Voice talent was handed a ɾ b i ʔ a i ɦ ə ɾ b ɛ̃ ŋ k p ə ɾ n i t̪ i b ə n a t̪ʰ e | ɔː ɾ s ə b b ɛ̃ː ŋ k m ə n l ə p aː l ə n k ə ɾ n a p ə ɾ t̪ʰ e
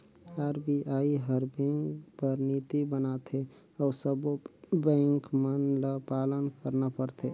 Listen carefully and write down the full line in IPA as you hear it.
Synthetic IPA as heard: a ɾ b i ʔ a i ɦ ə ɾ b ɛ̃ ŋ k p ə ɾ n i t̪ i b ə n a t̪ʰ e | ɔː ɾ s ə b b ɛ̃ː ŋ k m ə n l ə p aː l ə n k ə ɾ n a p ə ɾ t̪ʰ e

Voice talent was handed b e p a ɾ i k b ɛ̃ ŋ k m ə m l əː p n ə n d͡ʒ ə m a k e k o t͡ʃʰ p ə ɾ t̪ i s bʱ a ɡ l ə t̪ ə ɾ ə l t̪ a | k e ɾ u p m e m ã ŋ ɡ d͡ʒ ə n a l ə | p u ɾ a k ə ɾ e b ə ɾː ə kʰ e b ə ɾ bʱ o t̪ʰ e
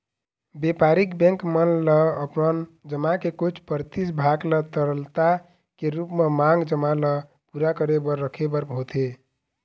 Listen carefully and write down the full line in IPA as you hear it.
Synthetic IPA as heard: b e p a ɾ i k b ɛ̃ ŋ k m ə n l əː p n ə n d͡ʒ ə m a k e k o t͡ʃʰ p ə ɾ t̪ i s bʱ a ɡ l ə t̪ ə ɾ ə l t̪ a | k e ɾ u p m e m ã ŋ ɡ d͡ʒ ə m a l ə | p u ɾ a k ə ɾ e b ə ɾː ə kʰ e b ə ɾ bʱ o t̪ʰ e

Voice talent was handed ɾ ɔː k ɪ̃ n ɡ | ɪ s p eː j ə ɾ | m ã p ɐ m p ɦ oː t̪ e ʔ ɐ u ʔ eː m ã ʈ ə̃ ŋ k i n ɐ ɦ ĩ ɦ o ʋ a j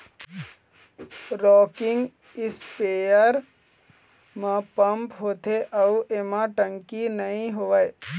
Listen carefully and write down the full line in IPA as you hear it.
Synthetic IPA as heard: ɾ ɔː k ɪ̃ ŋ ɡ | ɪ s p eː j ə ɾ | m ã p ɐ m p ɦ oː t̪ e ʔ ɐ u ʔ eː m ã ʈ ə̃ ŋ k i n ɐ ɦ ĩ ɦ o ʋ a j

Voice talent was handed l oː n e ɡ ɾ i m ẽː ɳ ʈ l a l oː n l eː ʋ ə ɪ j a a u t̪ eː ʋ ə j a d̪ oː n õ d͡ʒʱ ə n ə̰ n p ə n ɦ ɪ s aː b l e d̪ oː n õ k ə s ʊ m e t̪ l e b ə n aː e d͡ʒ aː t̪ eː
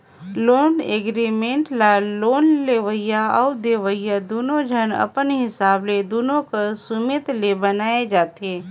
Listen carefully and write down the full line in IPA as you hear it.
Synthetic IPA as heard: l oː n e ɡ ɾ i m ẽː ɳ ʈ l a l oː n l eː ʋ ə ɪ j a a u d̪ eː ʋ ə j a d̪ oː n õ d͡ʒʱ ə n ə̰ p ə n ɦ ɪ s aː b l e d̪ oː n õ k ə s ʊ m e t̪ l e b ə n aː e d͡ʒ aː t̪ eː

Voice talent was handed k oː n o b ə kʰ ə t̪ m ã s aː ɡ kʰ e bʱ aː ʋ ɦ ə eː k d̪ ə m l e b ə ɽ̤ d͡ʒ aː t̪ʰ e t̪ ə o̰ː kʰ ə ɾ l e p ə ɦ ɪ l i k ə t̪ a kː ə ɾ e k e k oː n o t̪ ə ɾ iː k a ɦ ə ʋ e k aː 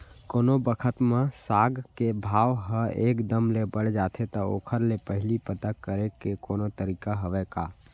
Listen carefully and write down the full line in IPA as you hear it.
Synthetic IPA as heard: k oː n o b ə kʰ ə t̪ m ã s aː ɡ k e bʱ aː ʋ ɦ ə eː k d̪ ə m l e b ə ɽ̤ d͡ʒ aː t̪ʰ e t̪ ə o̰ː kʰ ə ɾ l e p ə ɦ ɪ l i p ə t̪ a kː ə ɾ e k e k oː n o t̪ ə ɾ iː k a ɦ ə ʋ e k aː

